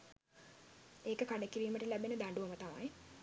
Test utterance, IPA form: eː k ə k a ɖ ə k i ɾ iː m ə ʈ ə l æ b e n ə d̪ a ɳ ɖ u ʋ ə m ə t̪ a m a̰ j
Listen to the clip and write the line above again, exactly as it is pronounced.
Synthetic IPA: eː k ə k a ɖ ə k i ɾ iː m ə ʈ ə l æ b e n ə d̪ a ɳ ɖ u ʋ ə m ə t̪ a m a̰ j